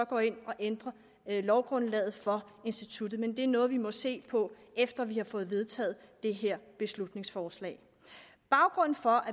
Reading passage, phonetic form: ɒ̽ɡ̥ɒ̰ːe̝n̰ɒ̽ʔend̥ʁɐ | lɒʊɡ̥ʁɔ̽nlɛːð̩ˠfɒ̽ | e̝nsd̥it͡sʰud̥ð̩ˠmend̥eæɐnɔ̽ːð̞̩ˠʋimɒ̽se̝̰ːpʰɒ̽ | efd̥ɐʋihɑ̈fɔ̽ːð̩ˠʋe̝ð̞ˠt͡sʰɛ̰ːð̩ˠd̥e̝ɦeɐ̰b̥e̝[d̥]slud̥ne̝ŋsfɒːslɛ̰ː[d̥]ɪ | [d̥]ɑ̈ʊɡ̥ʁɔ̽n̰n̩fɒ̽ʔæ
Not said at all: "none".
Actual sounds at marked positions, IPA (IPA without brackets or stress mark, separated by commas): none, none, b̥